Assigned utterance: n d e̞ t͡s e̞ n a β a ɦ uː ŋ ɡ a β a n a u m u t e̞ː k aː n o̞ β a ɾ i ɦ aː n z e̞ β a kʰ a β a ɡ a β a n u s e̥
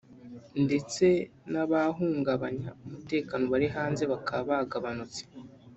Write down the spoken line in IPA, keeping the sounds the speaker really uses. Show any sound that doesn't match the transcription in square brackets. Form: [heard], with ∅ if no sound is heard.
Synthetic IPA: n d e̞ t͡s e̞ n a β a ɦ uː ŋ ɡ a β a [ɲ] a u m u t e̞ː k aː n o̞ β a ɾ i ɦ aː n z e̞ β a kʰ a β a ɡ a β a n u [t͡s] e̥

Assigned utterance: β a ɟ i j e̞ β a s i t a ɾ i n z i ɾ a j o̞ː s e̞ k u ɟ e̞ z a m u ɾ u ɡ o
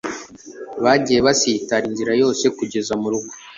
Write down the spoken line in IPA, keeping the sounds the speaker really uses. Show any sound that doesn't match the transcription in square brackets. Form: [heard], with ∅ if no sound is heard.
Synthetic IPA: β a ɟ i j e̞ β a s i t a ɾ i n z i ɾ a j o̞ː s e̞ k u ɟ e̞ z a m u ɾ u ɡ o

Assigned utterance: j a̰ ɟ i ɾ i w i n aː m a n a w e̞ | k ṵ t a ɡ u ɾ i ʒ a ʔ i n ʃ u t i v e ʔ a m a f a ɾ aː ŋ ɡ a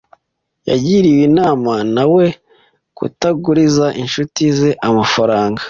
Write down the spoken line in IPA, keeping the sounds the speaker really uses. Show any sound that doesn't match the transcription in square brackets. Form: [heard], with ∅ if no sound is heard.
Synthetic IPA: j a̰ ɟ i ɾ i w i n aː m a n a w e̞ | k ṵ t a ɡ u ɾ i [z] a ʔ i n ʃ u t i [z] e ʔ a m a f a ɾ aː ŋ ɡ a

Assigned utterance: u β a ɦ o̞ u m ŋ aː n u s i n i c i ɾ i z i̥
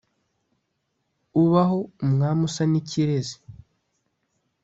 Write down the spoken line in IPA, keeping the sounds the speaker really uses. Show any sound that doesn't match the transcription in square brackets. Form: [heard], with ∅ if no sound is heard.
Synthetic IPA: u β a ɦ o̞ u m ŋ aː [m] u s [a] n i c i ɾ [e] z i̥

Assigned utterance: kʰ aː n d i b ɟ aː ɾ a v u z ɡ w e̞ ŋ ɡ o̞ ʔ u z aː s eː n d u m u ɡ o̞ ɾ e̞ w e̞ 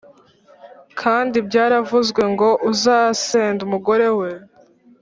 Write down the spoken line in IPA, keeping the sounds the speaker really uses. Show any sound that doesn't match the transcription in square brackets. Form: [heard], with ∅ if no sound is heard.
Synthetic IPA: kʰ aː n d i b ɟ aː ɾ a v u z ɡ w e̞ ŋ ɡ o̞ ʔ u z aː s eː n d u m u ɡ o̞ ɾ e̞ w e̞

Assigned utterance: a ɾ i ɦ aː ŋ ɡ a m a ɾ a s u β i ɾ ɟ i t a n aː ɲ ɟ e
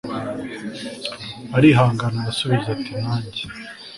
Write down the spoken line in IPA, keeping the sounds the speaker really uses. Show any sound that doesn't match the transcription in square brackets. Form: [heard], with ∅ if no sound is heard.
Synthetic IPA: a ɾ i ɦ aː ŋ ɡ a [n] a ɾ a s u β i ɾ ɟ [a] t [i] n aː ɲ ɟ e

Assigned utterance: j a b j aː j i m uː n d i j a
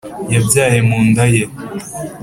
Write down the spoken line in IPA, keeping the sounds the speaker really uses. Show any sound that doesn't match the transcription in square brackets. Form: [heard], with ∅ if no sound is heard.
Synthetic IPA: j a b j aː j [e] m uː n d [a] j [e]

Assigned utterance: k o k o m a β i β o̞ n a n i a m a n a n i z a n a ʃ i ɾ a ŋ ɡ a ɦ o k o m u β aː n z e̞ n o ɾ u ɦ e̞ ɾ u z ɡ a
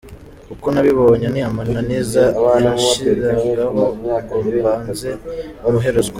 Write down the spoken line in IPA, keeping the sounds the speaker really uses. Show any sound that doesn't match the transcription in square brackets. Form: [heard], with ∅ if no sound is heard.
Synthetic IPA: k [u] k o [n] a β i β o̞ [ɲ] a n i a m a n a n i z a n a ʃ i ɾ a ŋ ɡ a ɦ o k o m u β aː n z e̞ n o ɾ u ɦ e̞ ɾ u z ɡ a

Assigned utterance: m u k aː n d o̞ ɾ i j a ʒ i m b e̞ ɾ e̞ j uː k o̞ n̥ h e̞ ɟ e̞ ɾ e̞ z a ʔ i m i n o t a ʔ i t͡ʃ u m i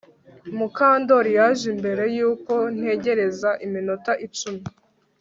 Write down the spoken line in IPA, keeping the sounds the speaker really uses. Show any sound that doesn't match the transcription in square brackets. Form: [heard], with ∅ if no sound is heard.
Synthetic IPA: m u k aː n d o̞ ɾ i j a ʒ i m b e̞ ɾ e̞ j uː k o̞ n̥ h e̞ ɟ e̞ ɾ e̞ z a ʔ i m i n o t a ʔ i t͡ʃ u m i

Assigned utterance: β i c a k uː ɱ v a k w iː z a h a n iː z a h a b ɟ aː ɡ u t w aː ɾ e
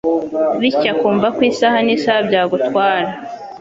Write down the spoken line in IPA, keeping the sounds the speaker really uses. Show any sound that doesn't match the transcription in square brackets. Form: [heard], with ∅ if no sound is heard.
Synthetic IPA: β i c a k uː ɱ v a k w iː [s] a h a n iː [s] a h a b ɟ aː ɡ u t w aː ɾ [a]

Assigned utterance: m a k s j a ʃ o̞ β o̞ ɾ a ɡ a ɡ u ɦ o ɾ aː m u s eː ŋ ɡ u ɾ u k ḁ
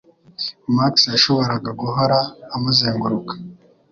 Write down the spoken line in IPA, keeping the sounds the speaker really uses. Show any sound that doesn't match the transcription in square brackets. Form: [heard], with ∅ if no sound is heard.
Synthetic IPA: m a k s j a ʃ o̞ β o̞ ɾ a ɡ a ɡ u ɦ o ɾ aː m u [z] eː ŋ ɡ u ɾ u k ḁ

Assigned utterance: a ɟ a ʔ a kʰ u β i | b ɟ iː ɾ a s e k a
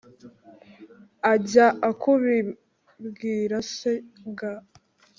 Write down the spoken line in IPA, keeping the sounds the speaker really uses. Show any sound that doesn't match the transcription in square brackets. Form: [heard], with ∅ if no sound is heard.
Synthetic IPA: a ɟ a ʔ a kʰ u β i | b [ɡ] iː ɾ a s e [ɡ] a

